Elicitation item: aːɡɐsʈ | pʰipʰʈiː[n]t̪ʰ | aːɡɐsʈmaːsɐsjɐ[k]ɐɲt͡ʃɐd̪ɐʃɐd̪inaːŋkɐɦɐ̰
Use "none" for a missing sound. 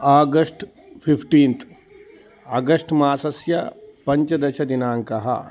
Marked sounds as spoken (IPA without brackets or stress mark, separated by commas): n, p